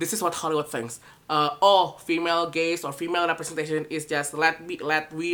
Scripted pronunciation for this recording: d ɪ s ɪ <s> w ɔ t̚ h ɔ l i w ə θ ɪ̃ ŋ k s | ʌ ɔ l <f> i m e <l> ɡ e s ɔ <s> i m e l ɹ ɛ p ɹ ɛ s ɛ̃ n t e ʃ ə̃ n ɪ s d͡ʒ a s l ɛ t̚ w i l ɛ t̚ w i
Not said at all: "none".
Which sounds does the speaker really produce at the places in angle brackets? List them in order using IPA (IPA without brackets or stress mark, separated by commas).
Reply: s, f, l, f